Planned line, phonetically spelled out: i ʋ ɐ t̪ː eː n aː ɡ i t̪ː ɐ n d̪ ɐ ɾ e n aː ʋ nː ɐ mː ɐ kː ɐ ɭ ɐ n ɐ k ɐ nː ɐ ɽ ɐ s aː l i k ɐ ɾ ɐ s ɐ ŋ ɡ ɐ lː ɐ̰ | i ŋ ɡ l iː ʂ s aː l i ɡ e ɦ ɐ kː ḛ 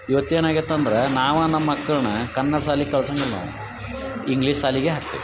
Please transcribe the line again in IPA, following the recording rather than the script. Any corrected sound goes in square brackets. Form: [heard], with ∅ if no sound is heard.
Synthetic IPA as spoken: i ʋ ɐ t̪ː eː n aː ɡ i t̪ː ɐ n d̪ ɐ ɾ e n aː ʋ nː ɐ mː ɐ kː ɐ ɭ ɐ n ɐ k ɐ nː ɐ ɽ ɐ s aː l i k ɐ [ɭ] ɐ s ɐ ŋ ɡ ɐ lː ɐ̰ | i ŋ ɡ l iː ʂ s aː l i ɡ e ɦ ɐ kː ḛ